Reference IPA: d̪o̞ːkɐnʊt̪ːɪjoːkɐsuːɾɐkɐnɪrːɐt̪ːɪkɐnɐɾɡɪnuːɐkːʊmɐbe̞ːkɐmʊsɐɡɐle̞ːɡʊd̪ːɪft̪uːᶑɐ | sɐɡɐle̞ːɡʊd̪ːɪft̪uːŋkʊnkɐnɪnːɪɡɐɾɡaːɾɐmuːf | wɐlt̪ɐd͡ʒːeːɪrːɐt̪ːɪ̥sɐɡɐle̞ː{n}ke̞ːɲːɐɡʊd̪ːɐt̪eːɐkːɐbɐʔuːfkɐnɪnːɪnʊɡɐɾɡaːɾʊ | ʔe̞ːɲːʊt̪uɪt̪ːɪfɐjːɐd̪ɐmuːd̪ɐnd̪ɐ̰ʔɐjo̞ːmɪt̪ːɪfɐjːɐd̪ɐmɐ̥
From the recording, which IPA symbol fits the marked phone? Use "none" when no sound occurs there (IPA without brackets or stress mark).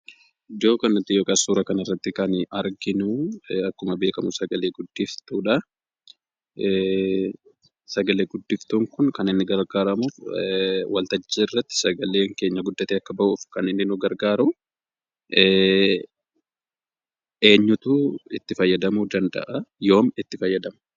ŋ